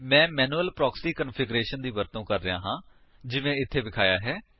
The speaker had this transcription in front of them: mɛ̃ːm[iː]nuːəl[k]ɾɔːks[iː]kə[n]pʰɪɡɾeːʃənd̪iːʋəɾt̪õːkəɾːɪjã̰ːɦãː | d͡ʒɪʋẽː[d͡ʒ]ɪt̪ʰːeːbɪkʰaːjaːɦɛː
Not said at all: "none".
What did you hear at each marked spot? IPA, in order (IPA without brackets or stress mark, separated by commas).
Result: ɛː, p, iː, n, none